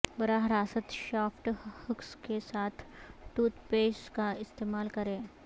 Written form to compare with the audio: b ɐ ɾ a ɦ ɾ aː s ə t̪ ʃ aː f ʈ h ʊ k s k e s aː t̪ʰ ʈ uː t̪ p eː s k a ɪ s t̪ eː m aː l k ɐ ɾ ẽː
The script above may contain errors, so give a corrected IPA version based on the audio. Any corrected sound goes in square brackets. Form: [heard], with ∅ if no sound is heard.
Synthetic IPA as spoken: b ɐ ɾ a ɦ ɾ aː s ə t̪ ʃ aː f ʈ h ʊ k s k e s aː t̪ʰ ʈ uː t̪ p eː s k a ɪ s t̪ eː m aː l k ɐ ɾ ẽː